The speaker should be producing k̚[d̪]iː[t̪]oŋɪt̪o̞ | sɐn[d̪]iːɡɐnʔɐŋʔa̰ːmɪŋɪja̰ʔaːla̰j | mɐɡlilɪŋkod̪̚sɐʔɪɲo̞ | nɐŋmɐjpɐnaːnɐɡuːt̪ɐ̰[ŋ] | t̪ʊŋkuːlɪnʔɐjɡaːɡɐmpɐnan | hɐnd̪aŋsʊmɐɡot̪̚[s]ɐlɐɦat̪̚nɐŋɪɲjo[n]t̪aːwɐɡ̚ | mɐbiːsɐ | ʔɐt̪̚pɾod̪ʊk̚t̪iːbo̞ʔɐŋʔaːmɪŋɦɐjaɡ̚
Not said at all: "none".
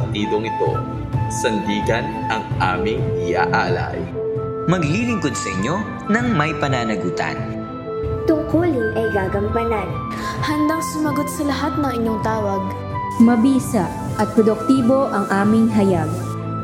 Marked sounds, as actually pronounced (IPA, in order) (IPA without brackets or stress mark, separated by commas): t̪, d̪, d̪, n, s, ŋ